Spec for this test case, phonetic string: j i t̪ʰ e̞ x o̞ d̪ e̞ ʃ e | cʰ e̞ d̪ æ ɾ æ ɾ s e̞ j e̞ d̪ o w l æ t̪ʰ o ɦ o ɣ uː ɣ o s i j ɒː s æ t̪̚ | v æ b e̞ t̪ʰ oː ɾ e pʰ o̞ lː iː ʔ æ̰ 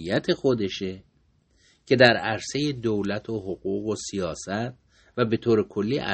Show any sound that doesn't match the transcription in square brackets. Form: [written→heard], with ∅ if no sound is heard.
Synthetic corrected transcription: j [i→æ] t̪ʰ e̞ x o̞ d̪ e̞ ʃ e | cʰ e̞ d̪ æ ɾ æ ɾ s e̞ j e̞ d̪ o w l æ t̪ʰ o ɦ o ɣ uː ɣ o s i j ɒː s æ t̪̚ | v æ b e̞ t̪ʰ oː ɾ e [pʰ→kʰ] o̞ lː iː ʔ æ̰